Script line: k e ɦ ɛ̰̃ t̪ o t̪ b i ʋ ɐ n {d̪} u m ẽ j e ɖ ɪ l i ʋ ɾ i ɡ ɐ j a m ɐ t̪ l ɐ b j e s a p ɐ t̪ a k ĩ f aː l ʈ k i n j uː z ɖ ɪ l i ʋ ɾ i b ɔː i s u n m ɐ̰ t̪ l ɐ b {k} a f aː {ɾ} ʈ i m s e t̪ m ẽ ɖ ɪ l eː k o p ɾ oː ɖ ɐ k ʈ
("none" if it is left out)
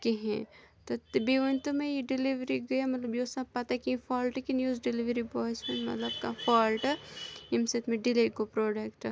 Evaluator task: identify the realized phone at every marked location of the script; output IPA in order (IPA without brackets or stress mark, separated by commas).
t̪, k, l